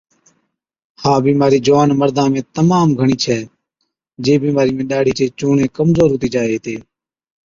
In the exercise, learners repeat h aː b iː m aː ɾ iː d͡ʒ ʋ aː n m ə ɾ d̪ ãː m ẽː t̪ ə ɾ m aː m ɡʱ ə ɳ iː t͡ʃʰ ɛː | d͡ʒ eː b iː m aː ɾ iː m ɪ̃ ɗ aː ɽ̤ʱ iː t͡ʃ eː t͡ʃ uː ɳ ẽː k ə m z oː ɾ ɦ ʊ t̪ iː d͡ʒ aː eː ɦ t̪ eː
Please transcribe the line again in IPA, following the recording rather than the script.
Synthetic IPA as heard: h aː b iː m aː ɾ iː d͡ʒ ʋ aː n m ə ɾ d̪ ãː m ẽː t̪ ə m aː m ɡʱ ə ɳ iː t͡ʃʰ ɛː | d͡ʒ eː b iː m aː ɾ iː m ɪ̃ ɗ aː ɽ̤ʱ iː t͡ʃ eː t͡ʃ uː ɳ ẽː k ə m z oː ɾ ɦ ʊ t̪ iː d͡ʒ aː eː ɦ t̪ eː